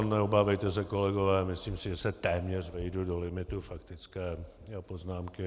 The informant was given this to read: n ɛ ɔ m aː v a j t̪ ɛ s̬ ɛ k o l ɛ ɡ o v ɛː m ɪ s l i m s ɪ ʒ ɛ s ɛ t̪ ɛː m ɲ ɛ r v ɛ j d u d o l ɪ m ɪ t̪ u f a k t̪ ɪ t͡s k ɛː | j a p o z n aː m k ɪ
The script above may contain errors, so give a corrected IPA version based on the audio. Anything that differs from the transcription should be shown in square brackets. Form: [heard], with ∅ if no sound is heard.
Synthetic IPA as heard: n ɛ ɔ [b] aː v [ɛ] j t̪ ɛ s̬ ɛ k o l ɛ ɡ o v ɛː m ɪ s l [iː] m s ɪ ʒ ɛ s ɛ t̪ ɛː m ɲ ɛ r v ɛ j d u d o l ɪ m ɪ t̪ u f a k t̪ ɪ t͡s k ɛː | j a p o z n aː m k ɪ